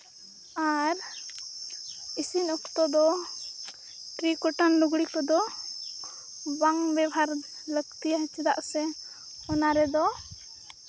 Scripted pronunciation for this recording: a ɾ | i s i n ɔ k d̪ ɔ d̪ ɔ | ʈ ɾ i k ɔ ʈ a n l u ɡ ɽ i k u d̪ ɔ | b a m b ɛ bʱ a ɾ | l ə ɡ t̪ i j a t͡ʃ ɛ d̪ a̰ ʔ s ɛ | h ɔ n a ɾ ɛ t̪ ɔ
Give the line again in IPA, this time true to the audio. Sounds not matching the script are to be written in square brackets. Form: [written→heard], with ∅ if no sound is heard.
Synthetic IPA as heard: a ɾ | i s i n ɔ k [d̪→t̪] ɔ d̪ ɔ | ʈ ɾ i k ɔ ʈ a n l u ɡ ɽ i k [u→ɔ] d̪ ɔ | b a [m→ŋ] b ɛ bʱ a ɾ | l ə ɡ t̪ i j a t͡ʃ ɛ d̪ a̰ ʔ s ɛ | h ɔ n a ɾ ɛ [t̪→d̪] ɔ

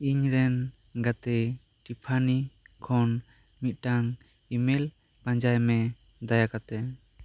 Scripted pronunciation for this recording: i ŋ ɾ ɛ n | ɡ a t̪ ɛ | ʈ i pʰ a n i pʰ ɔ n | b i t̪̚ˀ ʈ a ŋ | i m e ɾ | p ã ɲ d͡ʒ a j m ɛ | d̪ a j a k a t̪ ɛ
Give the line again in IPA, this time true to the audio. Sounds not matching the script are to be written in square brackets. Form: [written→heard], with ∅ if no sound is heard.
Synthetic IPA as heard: i [ŋ→ɲ] ɾ ɛ n | ɡ a t̪ ɛ | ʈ i pʰ a n i [pʰ→kʰ] ɔ n | [b→m] i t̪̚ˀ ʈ a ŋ | i m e [ɾ→l] | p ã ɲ d͡ʒ a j m ɛ | d̪ a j a k a t̪ ɛ

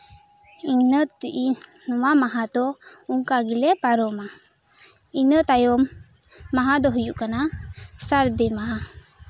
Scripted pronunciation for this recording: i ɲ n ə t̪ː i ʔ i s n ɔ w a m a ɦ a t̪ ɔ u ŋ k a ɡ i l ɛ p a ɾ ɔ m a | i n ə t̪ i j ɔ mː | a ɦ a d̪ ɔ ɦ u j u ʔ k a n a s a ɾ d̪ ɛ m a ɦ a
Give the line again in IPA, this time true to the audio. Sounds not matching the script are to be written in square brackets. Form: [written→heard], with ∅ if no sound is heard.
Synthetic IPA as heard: i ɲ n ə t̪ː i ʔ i [s→∅] n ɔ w a m a ɦ a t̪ ɔ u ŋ k a ɡ i l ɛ p a ɾ ɔ m a | i n ə t̪ [i→a] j ɔ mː | a ɦ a d̪ ɔ ɦ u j u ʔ k a n a s a ɾ d̪ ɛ m a ɦ a

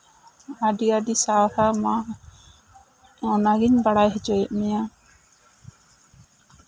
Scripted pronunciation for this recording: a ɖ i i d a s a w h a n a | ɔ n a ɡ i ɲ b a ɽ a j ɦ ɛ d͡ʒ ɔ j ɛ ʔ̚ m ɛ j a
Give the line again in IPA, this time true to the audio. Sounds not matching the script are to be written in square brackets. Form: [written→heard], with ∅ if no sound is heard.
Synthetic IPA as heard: a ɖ i [i→a] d [a→i] s a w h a [n→m] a | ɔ n a ɡ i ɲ b a ɽ a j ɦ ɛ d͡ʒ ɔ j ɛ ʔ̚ m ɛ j a

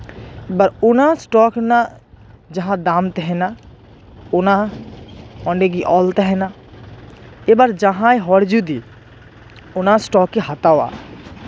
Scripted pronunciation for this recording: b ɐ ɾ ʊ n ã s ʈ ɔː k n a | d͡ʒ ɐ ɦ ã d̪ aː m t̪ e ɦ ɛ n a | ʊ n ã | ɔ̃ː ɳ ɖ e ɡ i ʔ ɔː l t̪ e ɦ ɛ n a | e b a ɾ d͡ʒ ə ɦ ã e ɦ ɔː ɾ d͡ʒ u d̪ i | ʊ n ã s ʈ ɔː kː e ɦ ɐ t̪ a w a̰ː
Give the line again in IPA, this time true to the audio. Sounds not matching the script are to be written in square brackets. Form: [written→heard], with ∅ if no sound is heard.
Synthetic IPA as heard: b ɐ ɾ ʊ n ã s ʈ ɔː k n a | d͡ʒ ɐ ɦ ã d̪ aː m t̪ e ɦ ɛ n a | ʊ n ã | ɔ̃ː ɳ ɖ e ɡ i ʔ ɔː l t̪ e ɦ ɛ n a | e b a ɾ d͡ʒ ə ɦ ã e ɦ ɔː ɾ d͡ʒ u d̪ i | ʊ n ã s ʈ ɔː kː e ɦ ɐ t̪ a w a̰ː

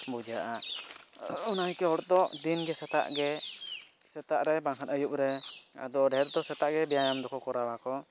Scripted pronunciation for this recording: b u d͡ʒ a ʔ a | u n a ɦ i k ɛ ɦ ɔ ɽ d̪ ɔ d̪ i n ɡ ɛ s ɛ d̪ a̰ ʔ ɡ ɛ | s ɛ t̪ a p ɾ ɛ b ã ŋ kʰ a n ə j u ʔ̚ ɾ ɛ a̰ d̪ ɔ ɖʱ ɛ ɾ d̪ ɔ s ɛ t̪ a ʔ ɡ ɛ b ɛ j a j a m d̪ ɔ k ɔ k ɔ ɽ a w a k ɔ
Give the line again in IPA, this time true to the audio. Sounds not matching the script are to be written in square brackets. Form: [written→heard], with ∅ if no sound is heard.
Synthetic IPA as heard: b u d͡ʒ a ʔ a | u n a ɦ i k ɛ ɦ ɔ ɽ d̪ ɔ d̪ i n ɡ ɛ s ɛ [d̪→t̪] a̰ ʔ ɡ ɛ | s ɛ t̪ a [p→ʔ] ɾ ɛ b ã ŋ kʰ a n ə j u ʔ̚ ɾ ɛ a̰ d̪ ɔ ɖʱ ɛ ɾ d̪ ɔ s ɛ t̪ a ʔ ɡ ɛ b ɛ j a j a m d̪ ɔ k ɔ k ɔ [ɽ→ɾ] a w a k ɔ

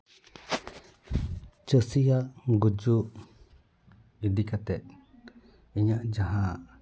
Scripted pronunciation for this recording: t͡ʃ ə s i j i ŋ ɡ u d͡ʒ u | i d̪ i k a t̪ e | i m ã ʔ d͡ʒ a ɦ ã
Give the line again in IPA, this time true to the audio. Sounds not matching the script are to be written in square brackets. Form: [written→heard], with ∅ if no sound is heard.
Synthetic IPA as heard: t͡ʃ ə s i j [i→a] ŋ ɡ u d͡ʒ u | i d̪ i k a t̪ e | i [m→ɲ] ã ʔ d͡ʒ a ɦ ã

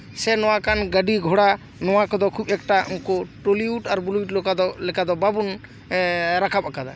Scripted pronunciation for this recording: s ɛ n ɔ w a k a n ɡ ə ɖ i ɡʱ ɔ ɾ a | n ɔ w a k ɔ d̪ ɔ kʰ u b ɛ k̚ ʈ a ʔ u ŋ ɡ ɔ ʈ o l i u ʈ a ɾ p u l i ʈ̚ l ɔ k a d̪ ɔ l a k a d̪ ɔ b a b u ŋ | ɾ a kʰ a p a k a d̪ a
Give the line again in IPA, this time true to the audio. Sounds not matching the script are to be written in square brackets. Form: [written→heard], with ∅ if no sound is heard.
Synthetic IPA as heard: s ɛ n ɔ w a k a n ɡ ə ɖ i ɡʱ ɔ [ɾ→ɽ] a | n ɔ w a k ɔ d̪ ɔ kʰ u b ɛ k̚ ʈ a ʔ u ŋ [ɡ→k] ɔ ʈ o l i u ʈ a ɾ [p→b] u l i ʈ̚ l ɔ k a d̪ ɔ l [a→ɛ] k a d̪ ɔ b a b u [ŋ→n] | ɾ a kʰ a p a k a d̪ a

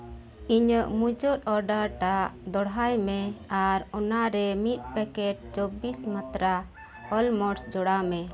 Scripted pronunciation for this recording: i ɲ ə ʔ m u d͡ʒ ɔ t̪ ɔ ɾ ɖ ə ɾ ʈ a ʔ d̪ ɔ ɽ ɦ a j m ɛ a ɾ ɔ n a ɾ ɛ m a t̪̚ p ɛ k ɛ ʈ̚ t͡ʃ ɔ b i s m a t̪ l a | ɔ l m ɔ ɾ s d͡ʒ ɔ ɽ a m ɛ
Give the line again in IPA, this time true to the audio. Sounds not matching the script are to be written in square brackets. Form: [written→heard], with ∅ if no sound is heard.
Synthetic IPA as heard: i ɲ ə ʔ m u d͡ʒ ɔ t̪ ɔ ɾ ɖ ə ɾ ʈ a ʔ d̪ ɔ ɽ ɦ a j m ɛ a ɾ ɔ n a ɾ ɛ m [a→i] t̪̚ p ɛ k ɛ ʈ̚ t͡ʃ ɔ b i s m a t̪ [l→ɾ] a | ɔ l m ɔ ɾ s d͡ʒ ɔ ɽ a m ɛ

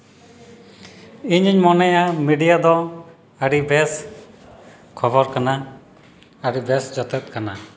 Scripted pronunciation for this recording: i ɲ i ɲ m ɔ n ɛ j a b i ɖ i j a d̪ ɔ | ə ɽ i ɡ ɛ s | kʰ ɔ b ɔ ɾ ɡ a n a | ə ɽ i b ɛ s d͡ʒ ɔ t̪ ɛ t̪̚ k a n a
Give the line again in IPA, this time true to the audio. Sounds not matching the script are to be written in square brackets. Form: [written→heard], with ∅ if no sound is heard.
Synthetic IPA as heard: i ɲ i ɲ m ɔ n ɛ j a [b→m] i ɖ i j a d̪ ɔ | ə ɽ i [ɡ→b] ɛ s | kʰ ɔ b ɔ ɾ [ɡ→k] a n a | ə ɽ i b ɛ s d͡ʒ ɔ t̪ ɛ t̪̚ k a n a

